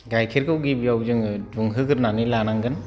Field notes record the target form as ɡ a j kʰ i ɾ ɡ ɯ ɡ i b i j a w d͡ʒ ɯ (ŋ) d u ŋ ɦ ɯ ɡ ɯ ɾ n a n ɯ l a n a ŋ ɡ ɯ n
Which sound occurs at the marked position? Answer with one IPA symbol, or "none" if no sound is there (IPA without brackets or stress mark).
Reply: ŋ